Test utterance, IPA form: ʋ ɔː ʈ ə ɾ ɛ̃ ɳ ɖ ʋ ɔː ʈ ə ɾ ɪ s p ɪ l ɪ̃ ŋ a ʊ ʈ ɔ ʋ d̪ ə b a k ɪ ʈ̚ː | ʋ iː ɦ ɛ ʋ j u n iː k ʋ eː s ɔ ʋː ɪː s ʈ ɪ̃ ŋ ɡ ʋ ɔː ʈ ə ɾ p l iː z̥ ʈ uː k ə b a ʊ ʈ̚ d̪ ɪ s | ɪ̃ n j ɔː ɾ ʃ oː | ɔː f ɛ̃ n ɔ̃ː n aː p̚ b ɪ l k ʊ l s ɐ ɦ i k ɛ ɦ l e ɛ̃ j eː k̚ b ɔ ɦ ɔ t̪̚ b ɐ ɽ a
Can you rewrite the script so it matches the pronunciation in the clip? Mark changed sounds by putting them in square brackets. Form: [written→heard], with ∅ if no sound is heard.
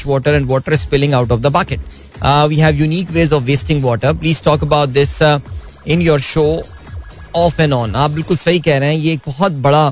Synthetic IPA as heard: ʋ ɔː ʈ ə ɾ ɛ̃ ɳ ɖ ʋ ɔː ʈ ə ɾ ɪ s p ɪ l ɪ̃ ŋ a ʊ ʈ ɔ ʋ d̪ ə b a k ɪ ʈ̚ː | ʋ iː ɦ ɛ ʋ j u n iː k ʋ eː [s→z] ɔ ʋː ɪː s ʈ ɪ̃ ŋ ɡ ʋ ɔː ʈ ə ɾ p l iː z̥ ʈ [uː→ɔː] k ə b a ʊ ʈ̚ d̪ ɪ s | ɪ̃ n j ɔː ɾ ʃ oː | ɔː f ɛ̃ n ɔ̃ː n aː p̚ b ɪ l k ʊ l s ɐ ɦ i k ɛ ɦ [l→ɾ] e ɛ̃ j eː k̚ b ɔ ɦ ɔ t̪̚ b ɐ ɽ a